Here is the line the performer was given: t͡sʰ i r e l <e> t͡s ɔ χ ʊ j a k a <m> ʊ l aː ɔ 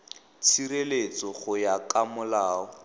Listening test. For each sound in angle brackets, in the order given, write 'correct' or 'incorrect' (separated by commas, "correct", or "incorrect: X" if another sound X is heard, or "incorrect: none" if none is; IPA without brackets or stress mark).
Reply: correct, correct